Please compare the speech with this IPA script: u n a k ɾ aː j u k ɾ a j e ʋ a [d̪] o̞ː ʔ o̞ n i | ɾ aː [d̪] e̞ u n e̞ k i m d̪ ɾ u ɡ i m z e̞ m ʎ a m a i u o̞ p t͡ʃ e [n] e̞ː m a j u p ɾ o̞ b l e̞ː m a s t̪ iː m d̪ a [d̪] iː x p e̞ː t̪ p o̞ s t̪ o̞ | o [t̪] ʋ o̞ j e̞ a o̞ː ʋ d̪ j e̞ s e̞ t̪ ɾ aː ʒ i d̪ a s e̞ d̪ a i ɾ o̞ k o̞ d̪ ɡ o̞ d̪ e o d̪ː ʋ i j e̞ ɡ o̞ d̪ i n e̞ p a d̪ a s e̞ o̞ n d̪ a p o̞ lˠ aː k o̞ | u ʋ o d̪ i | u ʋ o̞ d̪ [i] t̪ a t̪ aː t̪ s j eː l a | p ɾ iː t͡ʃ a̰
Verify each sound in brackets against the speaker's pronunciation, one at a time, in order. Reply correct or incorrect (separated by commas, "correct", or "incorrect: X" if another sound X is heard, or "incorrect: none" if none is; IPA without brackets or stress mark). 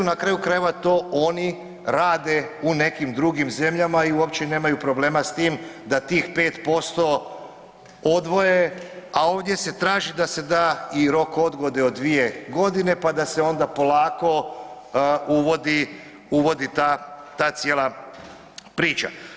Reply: incorrect: t̪, correct, correct, incorrect: t̪, incorrect: d̪, correct